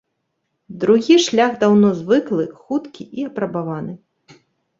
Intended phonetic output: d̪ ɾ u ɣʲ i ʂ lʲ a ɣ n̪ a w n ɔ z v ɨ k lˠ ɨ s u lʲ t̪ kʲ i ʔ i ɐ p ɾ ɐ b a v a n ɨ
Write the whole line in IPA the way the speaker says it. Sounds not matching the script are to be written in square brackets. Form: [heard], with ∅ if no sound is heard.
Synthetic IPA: d̪ ɾ u ɣʲ i ʂ lʲ a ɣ [d̪] a w n ɔ z v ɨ k lˠ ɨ [x] u [∅] t̪ kʲ i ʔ i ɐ p ɾ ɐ b a v a n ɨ